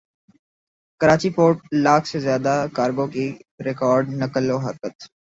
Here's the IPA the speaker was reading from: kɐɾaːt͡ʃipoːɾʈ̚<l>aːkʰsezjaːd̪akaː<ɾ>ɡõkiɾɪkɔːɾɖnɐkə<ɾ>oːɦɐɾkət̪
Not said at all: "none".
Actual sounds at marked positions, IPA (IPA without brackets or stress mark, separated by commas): l, ɾ, l